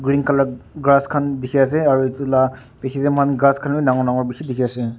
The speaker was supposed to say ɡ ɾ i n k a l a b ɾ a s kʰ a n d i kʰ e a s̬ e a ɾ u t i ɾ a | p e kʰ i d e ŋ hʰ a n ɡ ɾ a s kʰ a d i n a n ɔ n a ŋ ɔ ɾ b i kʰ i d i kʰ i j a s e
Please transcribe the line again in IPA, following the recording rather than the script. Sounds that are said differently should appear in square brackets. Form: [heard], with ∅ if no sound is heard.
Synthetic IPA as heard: ɡ ɾ i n k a l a [ɡ] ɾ a s kʰ a n d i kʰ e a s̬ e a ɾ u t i [l] a | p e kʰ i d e [m] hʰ a n ɡ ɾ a s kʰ a [n] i n a [ŋ] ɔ n a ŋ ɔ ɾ b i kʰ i d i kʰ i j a s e